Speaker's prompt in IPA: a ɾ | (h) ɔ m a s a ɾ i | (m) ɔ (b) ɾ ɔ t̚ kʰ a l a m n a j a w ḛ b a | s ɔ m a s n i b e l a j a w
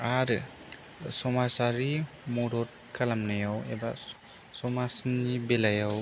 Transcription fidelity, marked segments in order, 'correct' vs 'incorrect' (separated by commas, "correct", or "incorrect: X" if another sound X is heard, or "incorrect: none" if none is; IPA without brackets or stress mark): incorrect: s, correct, incorrect: none